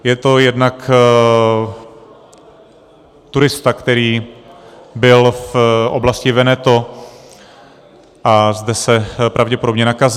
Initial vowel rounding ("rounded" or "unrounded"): unrounded